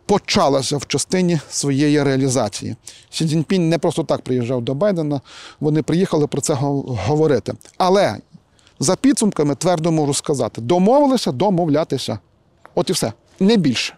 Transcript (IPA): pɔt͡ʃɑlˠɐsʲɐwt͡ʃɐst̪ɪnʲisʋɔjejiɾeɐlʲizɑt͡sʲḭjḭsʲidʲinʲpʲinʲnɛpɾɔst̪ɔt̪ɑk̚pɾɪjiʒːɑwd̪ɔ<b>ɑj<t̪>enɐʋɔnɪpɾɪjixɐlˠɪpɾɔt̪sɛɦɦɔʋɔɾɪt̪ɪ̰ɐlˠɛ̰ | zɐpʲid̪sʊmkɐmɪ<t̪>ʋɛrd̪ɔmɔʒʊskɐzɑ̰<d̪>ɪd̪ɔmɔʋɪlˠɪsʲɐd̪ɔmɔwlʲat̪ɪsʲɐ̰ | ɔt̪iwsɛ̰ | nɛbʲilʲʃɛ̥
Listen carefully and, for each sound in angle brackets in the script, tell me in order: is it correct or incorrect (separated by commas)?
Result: correct, incorrect, correct, incorrect